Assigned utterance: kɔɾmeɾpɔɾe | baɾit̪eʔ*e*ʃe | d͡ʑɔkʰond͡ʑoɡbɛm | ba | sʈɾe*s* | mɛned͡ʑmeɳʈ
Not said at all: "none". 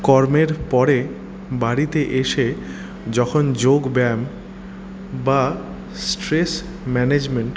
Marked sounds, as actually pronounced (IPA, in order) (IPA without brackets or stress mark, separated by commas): e, s